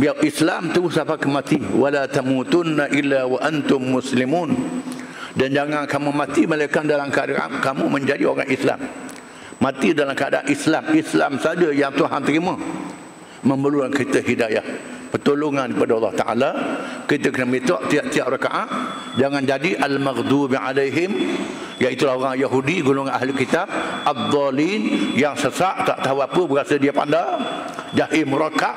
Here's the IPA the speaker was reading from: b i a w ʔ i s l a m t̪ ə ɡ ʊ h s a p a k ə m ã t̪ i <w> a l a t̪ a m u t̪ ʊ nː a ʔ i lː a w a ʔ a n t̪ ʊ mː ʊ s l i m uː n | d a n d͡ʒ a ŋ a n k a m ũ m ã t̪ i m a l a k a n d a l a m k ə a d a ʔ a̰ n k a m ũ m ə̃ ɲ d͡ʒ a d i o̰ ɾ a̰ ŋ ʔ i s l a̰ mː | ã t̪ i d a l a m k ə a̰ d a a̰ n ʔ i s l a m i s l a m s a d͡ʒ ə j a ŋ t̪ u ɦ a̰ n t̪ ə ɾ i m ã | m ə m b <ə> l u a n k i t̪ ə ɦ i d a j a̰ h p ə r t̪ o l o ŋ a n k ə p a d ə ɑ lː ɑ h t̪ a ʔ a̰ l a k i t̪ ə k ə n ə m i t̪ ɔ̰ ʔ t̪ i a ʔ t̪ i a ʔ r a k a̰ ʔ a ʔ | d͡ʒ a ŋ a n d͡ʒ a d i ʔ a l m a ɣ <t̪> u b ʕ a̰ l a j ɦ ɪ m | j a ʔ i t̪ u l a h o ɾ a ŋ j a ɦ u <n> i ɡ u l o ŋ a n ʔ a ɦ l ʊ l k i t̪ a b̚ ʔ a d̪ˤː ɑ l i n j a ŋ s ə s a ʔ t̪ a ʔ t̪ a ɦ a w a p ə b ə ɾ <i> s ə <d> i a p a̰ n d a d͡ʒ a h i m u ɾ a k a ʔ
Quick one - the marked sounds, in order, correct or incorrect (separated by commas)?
correct, correct, incorrect, incorrect, incorrect, correct